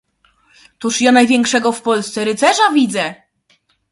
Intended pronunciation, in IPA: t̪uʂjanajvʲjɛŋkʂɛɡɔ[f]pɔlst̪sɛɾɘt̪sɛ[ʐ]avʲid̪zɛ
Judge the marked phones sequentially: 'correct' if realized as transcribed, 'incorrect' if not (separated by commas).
correct, correct